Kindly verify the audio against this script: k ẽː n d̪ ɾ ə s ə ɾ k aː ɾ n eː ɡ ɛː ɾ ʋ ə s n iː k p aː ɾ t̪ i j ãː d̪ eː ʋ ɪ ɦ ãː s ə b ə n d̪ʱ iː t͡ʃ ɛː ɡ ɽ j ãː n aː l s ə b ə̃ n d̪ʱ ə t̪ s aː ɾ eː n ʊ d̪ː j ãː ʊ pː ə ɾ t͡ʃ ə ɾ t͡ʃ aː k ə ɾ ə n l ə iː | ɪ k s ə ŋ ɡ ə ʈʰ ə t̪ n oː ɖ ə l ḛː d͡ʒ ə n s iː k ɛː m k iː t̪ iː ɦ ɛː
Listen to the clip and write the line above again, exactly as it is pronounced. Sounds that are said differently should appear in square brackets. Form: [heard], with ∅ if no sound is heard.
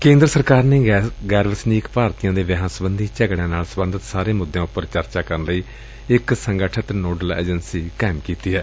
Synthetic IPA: k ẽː n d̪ ɾ ə s ə ɾ k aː ɾ n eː ɡ ɛː ɾ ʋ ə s n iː k p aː ɾ t̪ i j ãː d̪ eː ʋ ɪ ɦ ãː s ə b ə n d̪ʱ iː t͡ʃ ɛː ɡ ɽ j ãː n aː l s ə b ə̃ n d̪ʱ ə t̪ s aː ɾ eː [m] ʊ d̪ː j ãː ʊ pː ə ɾ t͡ʃ ə ɾ t͡ʃ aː k ə ɾ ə n l ə iː | ɪ k s ə ŋ ɡ ə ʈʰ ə t̪ n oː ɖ ə l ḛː d͡ʒ ə n s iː k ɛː m k iː t̪ iː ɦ ɛː

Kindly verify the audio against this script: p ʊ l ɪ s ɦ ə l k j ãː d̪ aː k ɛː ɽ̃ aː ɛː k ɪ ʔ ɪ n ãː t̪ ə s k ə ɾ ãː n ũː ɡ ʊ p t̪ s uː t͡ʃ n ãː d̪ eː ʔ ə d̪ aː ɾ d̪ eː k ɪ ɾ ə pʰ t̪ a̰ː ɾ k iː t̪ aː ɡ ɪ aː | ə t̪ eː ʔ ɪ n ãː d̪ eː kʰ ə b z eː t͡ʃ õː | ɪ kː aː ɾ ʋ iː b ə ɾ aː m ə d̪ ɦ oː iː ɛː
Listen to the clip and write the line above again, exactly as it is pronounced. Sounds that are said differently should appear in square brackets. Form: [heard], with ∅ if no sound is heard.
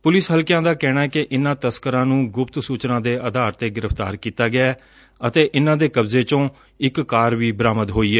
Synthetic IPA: p ʊ l ɪ s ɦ ə l k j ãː d̪ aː k ɛː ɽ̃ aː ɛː k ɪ ʔ ɪ n ãː t̪ ə s k ə ɾ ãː n ũː ɡ ʊ p t̪ s uː t͡ʃ n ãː d̪ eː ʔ ə d̪ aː ɾ [t̪] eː [ɡ] ɪ ɾ ə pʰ t̪ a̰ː ɾ k iː t̪ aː ɡ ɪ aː | ə t̪ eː ʔ ɪ n ãː d̪ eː [k] ə b z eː t͡ʃ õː | ɪ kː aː ɾ ʋ iː b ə ɾ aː m ə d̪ ɦ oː iː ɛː

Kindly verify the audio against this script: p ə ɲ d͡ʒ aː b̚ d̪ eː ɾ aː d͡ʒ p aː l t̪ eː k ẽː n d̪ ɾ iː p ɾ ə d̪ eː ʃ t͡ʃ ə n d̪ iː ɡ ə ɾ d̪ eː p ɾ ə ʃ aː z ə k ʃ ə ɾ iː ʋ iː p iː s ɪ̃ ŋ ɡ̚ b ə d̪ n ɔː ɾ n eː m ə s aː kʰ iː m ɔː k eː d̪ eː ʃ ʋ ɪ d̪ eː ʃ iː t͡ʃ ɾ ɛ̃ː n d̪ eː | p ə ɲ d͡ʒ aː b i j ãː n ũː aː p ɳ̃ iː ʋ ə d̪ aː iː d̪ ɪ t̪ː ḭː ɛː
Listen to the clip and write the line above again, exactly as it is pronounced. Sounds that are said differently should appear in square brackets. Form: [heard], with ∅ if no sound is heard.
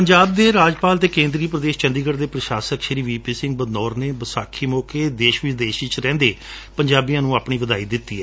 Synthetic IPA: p ə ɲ d͡ʒ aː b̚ d̪ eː ɾ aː d͡ʒ p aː l t̪ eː k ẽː n d̪ ɾ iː p ɾ ə d̪ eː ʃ t͡ʃ ə n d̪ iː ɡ ə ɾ d̪ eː p ɾ ə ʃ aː [s] ə k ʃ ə ɾ iː ʋ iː p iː s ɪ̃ ŋ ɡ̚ b ə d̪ n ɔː ɾ n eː [b] ə s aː kʰ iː m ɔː k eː d̪ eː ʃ ʋ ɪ d̪ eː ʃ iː t͡ʃ ɾ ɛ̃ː n d̪ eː | p ə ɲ d͡ʒ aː b i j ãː n ũː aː p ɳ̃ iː ʋ ə d̪ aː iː d̪ ɪ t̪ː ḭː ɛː

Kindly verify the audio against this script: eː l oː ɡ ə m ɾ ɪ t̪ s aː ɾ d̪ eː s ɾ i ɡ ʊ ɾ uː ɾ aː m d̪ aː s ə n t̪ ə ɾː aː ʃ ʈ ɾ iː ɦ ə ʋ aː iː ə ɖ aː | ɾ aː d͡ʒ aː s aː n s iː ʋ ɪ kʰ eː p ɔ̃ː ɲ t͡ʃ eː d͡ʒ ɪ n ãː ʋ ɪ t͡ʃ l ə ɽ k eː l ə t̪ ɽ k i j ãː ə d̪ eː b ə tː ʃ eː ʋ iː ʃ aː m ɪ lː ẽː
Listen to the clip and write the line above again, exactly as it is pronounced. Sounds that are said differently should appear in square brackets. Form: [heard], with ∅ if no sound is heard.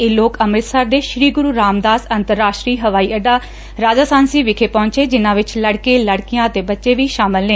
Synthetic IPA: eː l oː [k] ə m ɾ ɪ t̪ s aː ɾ d̪ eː [ʃ] ɾ [iː] ɡ ʊ ɾ uː ɾ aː m d̪ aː s ə n t̪ ə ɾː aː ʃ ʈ ɾ iː ɦ ə ʋ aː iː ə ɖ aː | ɾ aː d͡ʒ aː s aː n s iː ʋ ɪ kʰ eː p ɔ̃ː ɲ t͡ʃ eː d͡ʒ ɪ n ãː ʋ ɪ t͡ʃ l ə ɽ k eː l ə [∅] ɽ k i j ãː ə [t̪] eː b ə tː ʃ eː ʋ iː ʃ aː m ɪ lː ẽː

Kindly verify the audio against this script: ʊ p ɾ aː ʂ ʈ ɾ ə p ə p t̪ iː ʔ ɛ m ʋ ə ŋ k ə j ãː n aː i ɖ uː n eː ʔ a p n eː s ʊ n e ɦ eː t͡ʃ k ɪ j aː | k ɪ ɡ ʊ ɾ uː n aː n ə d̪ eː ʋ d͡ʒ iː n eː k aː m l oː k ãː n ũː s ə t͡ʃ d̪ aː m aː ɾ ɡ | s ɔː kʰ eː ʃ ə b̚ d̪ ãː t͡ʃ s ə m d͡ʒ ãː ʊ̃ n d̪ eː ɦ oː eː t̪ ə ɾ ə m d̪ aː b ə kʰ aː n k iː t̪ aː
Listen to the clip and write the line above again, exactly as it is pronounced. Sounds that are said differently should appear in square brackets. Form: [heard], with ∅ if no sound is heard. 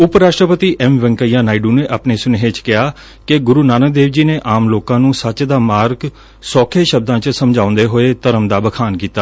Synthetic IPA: ʊ p ɾ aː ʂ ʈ ɾ ə p ə [∅] t̪ iː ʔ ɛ m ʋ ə ŋ k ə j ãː n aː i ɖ uː n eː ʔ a p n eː s ʊ n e ɦ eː t͡ʃ k ɪ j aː | k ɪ ɡ ʊ ɾ uː n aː n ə d̪ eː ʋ d͡ʒ iː n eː [ʔ] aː m l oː k ãː n ũː s ə t͡ʃ d̪ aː m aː ɾ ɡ | s ɔː kʰ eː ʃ ə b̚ d̪ ãː t͡ʃ s ə m d͡ʒ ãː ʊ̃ n d̪ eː ɦ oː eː t̪ ə ɾ ə m d̪ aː b ə kʰ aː n k iː t̪ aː

